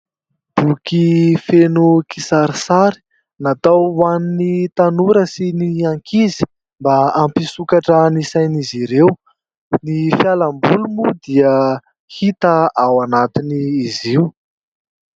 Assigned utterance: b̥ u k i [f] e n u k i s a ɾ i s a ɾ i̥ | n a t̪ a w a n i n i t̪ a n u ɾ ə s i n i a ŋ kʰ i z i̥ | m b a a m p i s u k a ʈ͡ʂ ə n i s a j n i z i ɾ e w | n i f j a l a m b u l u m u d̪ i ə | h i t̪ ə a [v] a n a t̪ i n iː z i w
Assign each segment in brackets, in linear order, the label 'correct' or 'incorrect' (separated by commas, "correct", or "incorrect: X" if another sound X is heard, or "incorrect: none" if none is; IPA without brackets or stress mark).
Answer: correct, incorrect: w